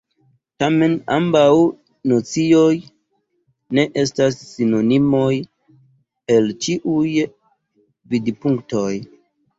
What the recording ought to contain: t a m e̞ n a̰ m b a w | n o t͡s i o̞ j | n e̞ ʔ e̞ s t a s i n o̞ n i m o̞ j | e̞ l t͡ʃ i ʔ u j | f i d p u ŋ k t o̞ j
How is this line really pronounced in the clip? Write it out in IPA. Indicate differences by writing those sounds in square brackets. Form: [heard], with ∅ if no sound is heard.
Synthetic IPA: t a m e̞ n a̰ m b a w | n o t͡s i o̞ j | n e̞ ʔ e̞ s t a [sː] i n o̞ n i m o̞ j | e̞ l t͡ʃ i ʔ u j | [v] i d p u ŋ k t o̞ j